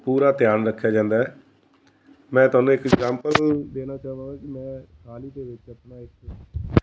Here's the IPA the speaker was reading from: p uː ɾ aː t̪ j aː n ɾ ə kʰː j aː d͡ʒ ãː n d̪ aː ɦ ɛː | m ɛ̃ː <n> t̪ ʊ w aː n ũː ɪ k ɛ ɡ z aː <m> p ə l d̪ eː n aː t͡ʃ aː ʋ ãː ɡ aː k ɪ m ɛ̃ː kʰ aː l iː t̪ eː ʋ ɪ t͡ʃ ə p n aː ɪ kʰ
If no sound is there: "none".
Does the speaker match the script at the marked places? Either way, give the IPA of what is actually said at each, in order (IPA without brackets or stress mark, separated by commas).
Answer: none, m